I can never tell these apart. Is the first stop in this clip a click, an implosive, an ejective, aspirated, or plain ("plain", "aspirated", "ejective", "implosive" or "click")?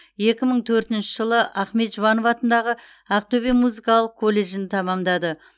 plain